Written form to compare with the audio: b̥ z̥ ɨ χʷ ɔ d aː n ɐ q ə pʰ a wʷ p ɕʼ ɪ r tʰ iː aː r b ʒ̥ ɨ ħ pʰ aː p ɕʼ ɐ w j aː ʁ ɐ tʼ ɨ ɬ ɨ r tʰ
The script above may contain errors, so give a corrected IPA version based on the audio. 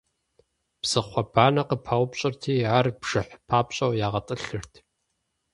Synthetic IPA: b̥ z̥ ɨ χʷ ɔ b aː n ɐ q ə pʰ a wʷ p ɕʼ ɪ r tʰ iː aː r b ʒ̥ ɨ ħ pʰ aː p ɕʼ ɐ w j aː ʁ ɐ tʼ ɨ ɬ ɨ r tʰ